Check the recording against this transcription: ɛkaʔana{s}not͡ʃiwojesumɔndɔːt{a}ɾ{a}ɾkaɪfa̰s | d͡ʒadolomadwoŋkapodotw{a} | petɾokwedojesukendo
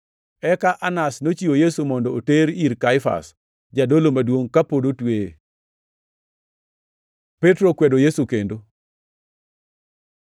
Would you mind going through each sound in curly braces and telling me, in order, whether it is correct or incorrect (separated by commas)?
correct, incorrect, incorrect, incorrect